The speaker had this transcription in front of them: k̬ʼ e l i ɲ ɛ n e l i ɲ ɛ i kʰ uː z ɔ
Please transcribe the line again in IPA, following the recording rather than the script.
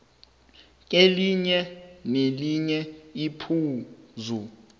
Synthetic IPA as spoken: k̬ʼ e l i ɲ ɛ n e l i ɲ ɛ i pʰ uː z u

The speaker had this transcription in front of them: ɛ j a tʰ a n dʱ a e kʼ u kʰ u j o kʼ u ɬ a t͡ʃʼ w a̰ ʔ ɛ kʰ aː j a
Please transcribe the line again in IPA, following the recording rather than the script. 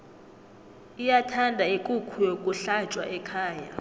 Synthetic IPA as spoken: i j a tʰ a n dʱ a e kʼ u kʰ u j o kʼ u ɬ a t͡ʃʼ w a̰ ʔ ɛ kʰ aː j a

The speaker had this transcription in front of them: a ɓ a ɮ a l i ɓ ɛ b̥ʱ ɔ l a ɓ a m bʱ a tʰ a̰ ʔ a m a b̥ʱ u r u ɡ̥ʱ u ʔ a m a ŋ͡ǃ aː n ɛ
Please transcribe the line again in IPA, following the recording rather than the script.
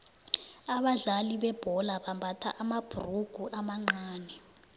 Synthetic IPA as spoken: a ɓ a ɮ a l i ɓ ɛ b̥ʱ ɔ l a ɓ a m bʱ a tʰ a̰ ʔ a m a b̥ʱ u r u ɡ̥ʱ u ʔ a m a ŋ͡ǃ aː n ɛ

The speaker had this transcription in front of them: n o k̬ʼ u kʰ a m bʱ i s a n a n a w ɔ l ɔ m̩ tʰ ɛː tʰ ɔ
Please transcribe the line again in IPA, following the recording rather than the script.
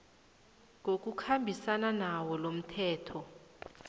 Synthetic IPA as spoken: ŋ o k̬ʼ u kʰ a m bʱ i s a n a n a w ɔ l o m̩ tʰ ɛː tʰ ɔ

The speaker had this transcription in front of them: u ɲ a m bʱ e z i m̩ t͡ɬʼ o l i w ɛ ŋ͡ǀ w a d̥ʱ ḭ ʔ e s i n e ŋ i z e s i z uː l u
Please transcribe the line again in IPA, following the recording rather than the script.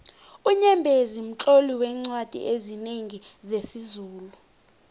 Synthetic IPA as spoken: u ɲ ɛ m bʱ e z i m̩ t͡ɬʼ o l i w ɛ ŋ͡ǀ w a d̥ʱ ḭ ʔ e z i n e ŋ i z e s i z uː l u

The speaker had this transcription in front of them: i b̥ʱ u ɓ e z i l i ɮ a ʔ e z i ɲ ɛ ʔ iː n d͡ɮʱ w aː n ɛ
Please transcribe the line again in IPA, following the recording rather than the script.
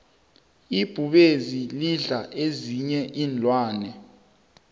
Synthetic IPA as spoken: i b̥ʱ u ɓ e z i l i ɮ a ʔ e z i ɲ ɛ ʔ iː n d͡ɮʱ w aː n ɛ

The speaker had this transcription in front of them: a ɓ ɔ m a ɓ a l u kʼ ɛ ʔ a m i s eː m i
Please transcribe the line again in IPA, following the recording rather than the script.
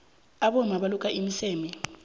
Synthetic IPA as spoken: a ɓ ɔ m a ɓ a l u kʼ a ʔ i m i s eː m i

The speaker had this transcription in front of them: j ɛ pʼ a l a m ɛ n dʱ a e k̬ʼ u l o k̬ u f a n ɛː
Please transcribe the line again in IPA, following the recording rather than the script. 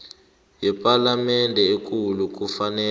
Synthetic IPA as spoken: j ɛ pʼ a l a m ɛ n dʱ ɛ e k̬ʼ u l u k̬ u f a n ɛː

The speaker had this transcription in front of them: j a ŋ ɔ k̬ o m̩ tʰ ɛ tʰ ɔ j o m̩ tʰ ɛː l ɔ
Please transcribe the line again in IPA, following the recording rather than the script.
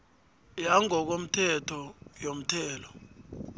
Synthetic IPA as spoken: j a ŋ ɔ k̬ o m̩ tʰ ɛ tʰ ɔ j o m̩ tʰ ɛː l ɔ

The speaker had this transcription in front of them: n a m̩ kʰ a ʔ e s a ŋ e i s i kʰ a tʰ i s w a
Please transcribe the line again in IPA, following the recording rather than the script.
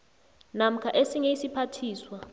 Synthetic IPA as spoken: n a m̩ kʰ a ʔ e s i ŋ e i s i pʰ a tʰ iː s w a

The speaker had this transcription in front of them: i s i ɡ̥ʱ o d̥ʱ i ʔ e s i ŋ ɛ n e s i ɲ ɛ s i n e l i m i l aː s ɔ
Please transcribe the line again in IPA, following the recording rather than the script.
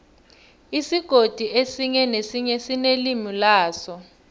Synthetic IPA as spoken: i s i ɡ̥ʱ o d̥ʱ i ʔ e s i ɲ ɛ n e s i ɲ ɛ s i n e l i m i l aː s ɔ

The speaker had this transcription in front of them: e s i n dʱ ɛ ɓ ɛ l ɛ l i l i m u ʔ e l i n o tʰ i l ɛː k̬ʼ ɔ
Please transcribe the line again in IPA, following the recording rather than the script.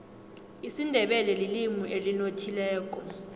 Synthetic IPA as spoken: i s i n dʱ ɛ ɓ ɛ l ɛ l i l i m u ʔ e l i n o tʰ i l ɛː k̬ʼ ɔ

